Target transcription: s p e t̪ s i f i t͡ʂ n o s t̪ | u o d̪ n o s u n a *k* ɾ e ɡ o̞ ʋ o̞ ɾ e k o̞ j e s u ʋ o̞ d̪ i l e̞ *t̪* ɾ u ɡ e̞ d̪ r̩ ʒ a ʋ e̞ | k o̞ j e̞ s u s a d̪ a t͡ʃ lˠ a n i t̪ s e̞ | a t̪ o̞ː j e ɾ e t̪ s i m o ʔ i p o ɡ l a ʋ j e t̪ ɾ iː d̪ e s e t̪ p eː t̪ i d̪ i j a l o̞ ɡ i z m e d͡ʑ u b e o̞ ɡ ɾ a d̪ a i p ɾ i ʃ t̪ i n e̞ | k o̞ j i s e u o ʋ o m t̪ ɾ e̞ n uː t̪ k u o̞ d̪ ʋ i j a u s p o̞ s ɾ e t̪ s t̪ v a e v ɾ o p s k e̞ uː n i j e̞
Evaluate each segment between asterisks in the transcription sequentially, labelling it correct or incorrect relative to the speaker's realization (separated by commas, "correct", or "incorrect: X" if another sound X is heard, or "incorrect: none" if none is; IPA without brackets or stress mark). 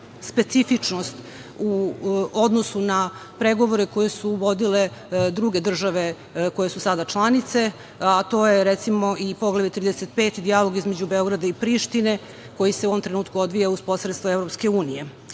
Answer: incorrect: p, incorrect: d̪